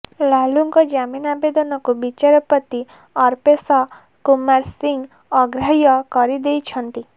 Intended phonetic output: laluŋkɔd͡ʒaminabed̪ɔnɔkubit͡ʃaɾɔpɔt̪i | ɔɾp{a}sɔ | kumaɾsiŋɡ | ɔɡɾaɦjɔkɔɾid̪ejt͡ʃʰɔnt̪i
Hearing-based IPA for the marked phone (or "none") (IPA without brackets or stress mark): e